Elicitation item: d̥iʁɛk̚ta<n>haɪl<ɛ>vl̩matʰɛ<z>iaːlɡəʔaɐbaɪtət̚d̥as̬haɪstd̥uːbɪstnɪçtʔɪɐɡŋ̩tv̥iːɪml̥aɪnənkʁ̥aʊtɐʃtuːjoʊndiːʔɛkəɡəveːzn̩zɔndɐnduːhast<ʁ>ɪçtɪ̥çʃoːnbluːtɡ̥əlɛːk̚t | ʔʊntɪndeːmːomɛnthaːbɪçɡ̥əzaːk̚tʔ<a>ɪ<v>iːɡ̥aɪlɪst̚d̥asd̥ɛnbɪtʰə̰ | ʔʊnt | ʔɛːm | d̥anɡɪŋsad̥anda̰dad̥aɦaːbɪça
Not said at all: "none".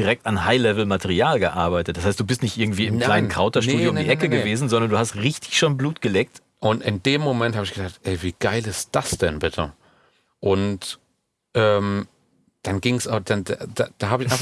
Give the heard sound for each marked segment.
n, ɛ, ʁ, ʁ, ɛ, v

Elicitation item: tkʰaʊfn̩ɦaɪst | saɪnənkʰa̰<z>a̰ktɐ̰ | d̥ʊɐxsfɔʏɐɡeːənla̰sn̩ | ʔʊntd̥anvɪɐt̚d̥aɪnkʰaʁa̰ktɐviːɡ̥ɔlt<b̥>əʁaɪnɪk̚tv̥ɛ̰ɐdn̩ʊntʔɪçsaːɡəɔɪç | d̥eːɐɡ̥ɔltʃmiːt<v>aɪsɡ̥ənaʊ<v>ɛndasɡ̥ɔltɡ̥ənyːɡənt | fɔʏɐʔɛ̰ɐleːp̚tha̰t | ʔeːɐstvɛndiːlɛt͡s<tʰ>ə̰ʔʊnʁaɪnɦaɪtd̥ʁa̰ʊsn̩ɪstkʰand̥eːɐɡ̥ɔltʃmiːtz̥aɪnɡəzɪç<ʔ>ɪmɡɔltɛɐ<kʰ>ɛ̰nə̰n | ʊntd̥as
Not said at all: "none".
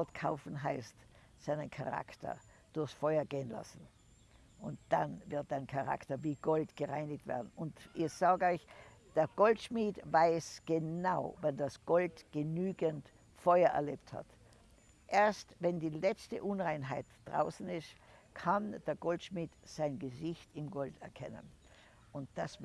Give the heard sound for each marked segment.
ʁ, ɡ̥, v, v, t, t, kʰ

